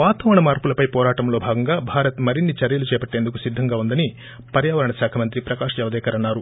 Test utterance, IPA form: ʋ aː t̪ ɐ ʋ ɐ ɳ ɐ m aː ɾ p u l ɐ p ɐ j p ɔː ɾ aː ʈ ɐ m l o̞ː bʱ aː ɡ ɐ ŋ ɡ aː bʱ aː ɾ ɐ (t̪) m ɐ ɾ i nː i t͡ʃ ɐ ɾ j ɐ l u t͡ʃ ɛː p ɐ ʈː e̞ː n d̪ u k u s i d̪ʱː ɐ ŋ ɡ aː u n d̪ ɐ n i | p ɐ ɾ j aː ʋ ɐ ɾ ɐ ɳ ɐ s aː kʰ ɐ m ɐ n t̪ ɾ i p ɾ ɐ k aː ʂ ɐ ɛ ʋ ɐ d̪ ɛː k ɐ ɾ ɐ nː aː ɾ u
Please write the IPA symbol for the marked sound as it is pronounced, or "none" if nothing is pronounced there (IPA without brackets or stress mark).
t̪